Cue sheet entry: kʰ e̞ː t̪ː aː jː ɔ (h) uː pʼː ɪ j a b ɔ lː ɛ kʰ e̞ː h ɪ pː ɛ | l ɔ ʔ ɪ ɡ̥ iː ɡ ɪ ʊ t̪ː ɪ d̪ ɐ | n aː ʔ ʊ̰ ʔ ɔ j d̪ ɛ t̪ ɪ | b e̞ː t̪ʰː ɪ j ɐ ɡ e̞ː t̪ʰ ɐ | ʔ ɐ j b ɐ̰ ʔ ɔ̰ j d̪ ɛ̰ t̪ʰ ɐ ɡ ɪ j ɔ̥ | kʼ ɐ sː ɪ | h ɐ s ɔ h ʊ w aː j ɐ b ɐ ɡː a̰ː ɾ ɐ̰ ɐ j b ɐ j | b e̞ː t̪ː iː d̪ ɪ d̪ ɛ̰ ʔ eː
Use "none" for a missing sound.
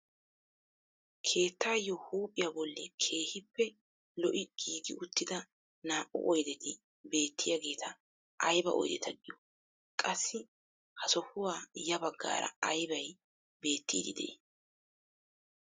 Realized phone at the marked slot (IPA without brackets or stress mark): h